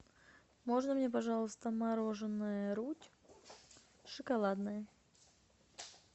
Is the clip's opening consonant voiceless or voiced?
voiced